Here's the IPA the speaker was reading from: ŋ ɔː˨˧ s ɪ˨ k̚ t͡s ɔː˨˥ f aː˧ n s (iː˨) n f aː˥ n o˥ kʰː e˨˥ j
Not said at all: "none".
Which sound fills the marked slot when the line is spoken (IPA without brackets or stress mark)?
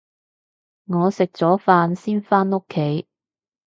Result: iː˥